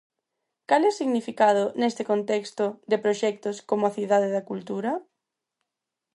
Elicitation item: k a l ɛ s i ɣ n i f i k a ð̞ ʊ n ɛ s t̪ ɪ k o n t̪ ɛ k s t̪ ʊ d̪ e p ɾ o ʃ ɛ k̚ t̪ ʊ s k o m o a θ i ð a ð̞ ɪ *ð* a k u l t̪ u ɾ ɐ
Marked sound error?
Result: no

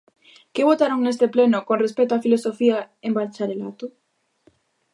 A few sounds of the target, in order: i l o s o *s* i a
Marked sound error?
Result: yes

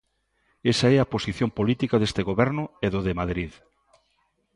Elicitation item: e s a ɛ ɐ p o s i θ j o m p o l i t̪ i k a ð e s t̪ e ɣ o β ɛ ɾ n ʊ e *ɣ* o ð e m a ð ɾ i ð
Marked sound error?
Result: yes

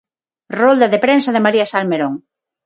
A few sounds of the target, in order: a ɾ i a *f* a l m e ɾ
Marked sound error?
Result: yes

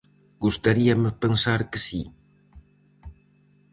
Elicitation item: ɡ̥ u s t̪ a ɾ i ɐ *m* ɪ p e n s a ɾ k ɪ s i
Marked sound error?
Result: no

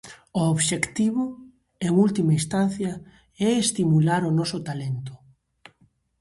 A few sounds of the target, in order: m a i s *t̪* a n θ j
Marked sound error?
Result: no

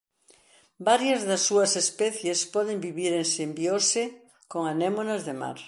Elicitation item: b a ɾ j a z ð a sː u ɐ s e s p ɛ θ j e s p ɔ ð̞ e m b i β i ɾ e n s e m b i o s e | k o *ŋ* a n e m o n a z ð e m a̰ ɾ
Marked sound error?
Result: no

